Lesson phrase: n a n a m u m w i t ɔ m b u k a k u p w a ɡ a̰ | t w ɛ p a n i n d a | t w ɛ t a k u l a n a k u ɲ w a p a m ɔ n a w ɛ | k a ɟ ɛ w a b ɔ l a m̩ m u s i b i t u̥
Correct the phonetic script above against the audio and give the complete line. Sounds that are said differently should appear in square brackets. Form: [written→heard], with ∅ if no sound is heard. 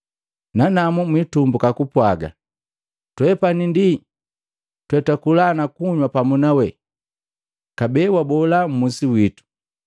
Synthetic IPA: n a n a m u m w i t [ɔ→u] m b u k a k u p w a ɡ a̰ | t w ɛ p a n i n d [a→i] | t w ɛ t a k u l a n a k u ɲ w a p a m [ɔ→u] n a w ɛ | k a [ɟ→b] ɛ w a b ɔ l a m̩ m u s i [b→w] i t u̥